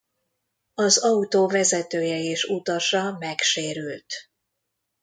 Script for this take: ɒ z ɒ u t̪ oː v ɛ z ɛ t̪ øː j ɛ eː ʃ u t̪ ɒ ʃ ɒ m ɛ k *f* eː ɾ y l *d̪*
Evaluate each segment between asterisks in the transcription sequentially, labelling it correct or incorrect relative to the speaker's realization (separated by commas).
incorrect, incorrect